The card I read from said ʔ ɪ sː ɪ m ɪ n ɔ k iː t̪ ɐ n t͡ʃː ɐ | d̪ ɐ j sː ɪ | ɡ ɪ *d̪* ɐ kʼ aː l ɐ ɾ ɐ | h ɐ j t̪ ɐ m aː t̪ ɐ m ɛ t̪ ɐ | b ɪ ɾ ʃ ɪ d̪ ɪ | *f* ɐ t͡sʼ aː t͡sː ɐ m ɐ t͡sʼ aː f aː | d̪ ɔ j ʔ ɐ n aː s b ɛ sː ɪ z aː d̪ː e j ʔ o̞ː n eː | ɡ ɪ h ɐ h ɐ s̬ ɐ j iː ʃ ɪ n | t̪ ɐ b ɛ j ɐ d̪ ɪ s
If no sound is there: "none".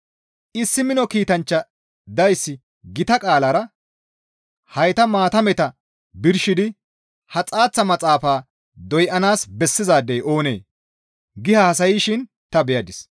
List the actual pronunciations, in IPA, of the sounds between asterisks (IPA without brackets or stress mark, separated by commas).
t̪, h